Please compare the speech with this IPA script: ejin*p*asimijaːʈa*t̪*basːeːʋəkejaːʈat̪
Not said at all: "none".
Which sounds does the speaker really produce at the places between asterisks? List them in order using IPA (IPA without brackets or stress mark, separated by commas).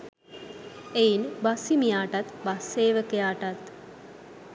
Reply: b, t̪